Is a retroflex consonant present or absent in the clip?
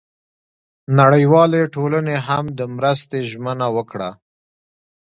present